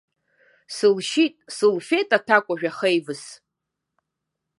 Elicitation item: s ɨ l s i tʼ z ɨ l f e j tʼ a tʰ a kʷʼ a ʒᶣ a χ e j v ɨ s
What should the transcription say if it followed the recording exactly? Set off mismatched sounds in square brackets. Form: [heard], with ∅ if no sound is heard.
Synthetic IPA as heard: s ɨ l [ʃ] i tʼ [s] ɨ l f e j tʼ a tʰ a kʷʼ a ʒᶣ a χ e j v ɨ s